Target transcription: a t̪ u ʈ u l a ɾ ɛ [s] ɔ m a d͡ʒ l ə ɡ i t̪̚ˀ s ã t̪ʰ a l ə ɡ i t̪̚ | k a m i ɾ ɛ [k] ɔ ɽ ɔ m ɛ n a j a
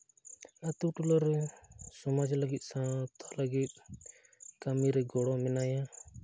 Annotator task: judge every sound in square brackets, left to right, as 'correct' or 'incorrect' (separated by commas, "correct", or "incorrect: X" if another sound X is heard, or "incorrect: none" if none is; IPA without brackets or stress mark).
correct, incorrect: ɡ